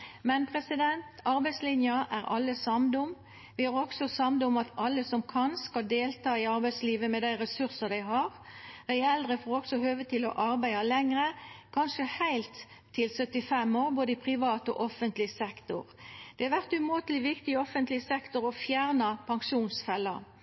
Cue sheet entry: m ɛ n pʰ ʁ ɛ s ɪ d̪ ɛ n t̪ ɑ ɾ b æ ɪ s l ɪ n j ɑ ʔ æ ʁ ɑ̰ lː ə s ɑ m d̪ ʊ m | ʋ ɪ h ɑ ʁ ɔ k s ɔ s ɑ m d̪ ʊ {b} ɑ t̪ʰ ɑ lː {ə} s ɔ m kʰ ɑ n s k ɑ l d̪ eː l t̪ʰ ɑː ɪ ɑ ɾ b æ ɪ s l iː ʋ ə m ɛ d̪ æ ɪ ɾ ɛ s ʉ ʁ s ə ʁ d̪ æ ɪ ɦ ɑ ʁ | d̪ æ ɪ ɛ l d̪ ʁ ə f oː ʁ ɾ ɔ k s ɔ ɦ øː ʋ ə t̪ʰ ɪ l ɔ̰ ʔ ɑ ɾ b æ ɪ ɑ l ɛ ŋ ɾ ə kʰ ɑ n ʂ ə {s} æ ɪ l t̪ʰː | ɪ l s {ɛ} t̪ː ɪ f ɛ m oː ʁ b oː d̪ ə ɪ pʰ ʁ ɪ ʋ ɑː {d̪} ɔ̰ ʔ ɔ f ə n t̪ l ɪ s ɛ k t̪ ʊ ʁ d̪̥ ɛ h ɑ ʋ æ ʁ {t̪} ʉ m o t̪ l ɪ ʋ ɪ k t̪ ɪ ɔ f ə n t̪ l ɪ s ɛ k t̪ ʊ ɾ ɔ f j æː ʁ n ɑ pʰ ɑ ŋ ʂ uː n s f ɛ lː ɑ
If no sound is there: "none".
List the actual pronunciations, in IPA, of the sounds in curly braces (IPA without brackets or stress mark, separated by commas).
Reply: m, ə, h, œ, t̪, t̪